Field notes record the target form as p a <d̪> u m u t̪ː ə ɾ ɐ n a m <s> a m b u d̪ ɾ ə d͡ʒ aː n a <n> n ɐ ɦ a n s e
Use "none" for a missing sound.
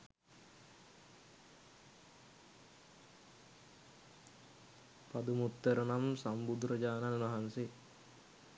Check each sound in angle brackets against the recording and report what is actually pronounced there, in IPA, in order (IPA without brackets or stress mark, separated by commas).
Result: d̪, s, n